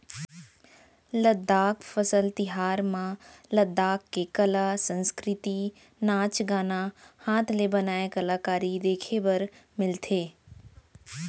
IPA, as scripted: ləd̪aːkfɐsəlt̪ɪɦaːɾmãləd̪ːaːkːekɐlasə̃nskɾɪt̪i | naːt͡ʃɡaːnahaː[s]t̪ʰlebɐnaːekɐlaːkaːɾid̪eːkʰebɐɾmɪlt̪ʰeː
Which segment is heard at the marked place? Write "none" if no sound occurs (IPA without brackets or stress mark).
none